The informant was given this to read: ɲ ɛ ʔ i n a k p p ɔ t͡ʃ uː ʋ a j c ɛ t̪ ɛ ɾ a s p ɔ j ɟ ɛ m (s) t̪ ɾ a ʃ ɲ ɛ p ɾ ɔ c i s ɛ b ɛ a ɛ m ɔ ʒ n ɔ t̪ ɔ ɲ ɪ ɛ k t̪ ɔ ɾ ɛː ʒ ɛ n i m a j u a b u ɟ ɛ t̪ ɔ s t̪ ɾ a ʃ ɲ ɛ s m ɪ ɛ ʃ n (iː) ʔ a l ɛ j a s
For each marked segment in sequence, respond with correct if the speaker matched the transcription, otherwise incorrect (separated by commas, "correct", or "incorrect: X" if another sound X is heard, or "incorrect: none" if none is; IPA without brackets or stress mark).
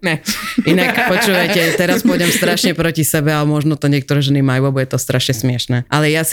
correct, incorrect: ɛː